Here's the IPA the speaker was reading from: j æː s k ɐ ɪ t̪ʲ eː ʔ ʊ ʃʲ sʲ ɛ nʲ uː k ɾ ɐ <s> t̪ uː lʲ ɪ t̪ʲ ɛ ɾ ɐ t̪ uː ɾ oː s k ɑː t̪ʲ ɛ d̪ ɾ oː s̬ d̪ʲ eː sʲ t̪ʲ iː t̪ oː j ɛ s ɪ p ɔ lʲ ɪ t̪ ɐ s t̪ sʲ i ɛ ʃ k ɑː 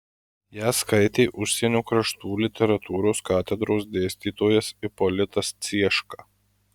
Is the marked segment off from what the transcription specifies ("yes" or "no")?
yes